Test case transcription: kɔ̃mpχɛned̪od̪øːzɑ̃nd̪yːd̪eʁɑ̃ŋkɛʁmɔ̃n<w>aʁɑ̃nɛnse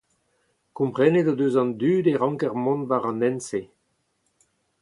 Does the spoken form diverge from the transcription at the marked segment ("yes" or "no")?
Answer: yes